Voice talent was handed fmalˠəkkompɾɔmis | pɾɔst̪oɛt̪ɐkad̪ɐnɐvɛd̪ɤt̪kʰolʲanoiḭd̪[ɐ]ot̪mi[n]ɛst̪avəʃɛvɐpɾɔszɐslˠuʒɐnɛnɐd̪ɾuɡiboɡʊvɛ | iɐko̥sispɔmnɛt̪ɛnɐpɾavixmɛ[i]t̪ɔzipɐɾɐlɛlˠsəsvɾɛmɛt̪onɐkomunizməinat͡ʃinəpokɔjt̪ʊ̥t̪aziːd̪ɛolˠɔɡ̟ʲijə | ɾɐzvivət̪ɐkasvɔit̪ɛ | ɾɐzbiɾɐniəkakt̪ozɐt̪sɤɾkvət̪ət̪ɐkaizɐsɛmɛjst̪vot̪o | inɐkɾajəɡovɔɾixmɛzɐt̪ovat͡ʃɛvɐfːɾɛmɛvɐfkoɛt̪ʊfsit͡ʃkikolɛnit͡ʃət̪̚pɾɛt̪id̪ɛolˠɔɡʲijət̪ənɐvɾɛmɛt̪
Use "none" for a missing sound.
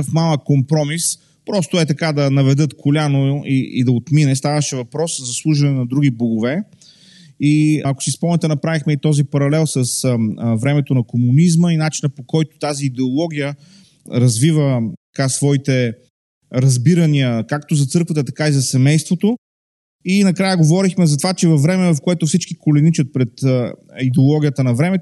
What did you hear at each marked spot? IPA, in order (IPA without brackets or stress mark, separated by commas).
ɐ, n, i